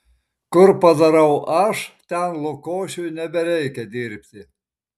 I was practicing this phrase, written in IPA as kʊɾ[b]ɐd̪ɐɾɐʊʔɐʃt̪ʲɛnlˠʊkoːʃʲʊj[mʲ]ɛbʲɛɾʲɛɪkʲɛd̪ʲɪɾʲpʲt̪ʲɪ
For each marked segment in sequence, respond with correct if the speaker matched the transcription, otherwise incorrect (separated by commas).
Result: incorrect, incorrect